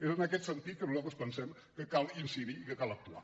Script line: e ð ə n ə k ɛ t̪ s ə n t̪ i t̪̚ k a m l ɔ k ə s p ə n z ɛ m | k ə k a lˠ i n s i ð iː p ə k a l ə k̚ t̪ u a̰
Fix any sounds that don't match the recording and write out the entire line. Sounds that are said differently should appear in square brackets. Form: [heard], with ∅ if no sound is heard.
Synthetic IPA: e [z] ə n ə k ɛ t̪ s ə n t̪ i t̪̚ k [ə] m l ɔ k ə s p ə n [s] ɛ m | k ə k a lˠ i n s i ð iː [k] ə k a l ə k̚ t̪ u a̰